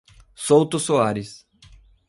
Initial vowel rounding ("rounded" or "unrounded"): rounded